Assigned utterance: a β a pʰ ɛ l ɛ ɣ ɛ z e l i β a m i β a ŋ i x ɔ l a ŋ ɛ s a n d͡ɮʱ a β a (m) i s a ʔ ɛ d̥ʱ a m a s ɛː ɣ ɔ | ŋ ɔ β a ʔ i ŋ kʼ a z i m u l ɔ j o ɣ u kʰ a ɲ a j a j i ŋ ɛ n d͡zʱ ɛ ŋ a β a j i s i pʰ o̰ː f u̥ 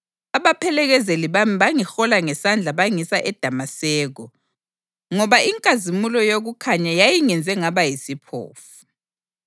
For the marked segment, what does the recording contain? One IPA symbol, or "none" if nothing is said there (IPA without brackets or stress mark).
ŋ